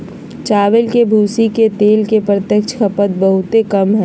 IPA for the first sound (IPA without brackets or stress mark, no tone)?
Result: t͡ʃ